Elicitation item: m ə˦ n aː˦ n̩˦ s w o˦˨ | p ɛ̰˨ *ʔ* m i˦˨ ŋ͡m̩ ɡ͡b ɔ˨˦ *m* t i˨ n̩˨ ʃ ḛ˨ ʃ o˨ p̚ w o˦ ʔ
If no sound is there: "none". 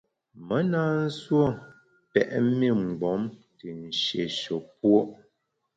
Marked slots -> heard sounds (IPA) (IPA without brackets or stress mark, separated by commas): ʔ, m